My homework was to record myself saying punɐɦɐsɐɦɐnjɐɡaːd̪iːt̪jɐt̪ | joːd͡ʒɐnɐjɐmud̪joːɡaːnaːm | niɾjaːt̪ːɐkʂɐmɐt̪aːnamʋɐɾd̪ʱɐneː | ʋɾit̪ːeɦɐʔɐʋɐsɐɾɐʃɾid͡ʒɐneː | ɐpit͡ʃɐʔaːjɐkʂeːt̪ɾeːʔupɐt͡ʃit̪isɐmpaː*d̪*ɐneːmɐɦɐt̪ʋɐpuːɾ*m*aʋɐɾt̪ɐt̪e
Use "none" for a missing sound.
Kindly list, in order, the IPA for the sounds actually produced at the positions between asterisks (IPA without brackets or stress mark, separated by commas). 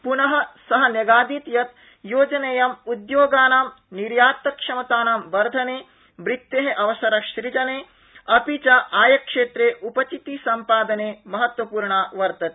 d̪, ɳ